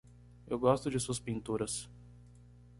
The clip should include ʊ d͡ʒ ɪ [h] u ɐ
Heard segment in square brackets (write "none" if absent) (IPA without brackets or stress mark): s